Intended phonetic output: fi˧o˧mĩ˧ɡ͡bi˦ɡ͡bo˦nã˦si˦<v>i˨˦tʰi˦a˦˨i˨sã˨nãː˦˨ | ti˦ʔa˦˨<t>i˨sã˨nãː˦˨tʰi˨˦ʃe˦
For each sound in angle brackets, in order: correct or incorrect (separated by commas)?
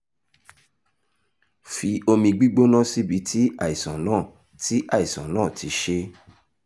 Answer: incorrect, incorrect